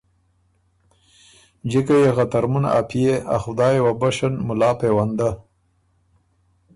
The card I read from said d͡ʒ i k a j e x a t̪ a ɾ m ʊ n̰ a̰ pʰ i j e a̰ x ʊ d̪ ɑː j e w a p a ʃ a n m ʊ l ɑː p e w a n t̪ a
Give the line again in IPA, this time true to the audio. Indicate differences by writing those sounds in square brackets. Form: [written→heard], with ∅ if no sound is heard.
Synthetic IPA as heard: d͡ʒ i k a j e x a t̪ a ɾ m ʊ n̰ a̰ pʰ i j e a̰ x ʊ d̪ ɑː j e w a [p→b] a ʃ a n m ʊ l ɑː p e w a n [t̪→d̪] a